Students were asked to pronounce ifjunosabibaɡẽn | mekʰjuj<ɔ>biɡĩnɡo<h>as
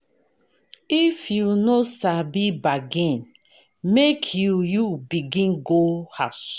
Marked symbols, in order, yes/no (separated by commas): no, yes